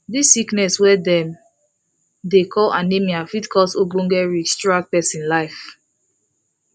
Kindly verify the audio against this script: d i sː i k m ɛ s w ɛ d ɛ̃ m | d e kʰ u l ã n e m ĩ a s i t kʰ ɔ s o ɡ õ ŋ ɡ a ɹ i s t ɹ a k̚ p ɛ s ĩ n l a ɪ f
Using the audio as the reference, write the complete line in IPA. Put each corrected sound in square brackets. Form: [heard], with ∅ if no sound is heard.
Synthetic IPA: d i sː i k [n] ɛ s w ɛ d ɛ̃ m | d e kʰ [ɔ] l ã n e m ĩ a [f] i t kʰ ɔ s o ɡ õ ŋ ɡ [ɛ] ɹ i s t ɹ a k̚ p ɛ s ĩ n l a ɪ f